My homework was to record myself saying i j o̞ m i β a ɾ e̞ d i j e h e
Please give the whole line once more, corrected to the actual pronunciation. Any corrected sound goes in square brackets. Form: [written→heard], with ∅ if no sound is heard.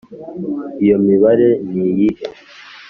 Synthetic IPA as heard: i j o̞ m i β a ɾ e̞ [d→n] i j [e→i] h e